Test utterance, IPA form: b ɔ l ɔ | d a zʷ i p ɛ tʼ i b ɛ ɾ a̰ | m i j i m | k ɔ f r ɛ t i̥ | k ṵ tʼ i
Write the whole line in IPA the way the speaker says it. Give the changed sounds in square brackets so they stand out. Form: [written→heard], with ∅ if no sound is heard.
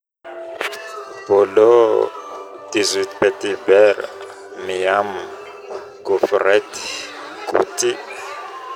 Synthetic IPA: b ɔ l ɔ | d [a→i] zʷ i p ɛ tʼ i b ɛ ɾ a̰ | m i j [i→a] m | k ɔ f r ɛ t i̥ | k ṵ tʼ i